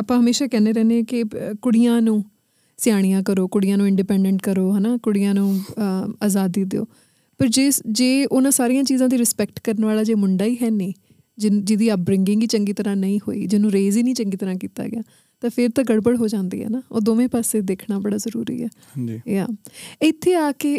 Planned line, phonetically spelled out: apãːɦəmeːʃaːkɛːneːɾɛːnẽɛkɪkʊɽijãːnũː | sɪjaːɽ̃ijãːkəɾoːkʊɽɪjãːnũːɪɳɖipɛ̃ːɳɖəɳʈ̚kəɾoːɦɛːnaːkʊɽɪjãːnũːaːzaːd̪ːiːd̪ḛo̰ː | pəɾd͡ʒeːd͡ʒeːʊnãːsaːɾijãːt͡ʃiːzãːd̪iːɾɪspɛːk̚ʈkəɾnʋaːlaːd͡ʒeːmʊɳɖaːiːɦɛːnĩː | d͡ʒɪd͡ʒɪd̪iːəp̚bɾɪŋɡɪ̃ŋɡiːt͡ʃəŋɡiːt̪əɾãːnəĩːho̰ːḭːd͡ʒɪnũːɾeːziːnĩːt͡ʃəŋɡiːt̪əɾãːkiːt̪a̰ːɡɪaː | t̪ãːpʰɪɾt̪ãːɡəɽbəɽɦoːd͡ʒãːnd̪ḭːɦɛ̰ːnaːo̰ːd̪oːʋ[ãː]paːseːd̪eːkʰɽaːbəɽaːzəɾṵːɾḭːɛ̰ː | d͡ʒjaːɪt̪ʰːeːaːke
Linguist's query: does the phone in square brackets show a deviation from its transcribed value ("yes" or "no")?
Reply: yes